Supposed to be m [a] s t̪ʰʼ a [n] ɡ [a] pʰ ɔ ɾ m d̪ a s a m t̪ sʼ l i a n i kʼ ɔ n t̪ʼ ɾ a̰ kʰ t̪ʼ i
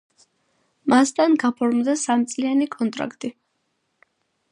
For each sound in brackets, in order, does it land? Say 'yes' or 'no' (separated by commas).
yes, yes, yes